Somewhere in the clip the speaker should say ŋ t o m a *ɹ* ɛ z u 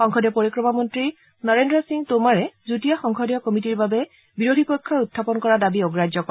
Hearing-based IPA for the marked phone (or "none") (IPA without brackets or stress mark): ɹ